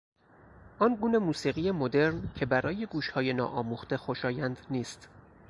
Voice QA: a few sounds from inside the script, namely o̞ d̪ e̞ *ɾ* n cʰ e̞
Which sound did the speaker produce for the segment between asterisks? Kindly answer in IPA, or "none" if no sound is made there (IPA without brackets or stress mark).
ɾ